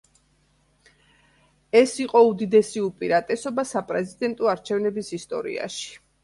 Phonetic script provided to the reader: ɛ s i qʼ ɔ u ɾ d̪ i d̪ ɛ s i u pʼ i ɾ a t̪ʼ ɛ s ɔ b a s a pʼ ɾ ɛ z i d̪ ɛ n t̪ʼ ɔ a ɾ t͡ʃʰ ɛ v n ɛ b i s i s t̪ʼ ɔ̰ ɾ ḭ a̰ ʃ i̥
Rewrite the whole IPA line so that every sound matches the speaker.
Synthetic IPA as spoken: ɛ s i qʼ ɔ u d̪ i d̪ ɛ s i u pʼ i ɾ a t̪ʼ ɛ s ɔ b a s a pʼ ɾ ɛ z i d̪ ɛ n t̪ʼ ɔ a ɾ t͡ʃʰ ɛ v n ɛ b i s i s t̪ʼ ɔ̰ ɾ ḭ a̰ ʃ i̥